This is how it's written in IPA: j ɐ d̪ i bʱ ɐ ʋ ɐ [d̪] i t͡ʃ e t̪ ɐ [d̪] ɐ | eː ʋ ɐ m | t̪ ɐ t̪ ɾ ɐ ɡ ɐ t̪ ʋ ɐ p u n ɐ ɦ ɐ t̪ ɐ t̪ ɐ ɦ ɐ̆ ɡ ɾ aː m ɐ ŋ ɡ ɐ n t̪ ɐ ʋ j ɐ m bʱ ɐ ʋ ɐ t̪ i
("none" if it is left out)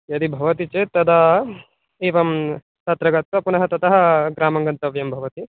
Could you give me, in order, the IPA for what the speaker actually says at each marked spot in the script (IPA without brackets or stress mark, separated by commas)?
t̪, d̪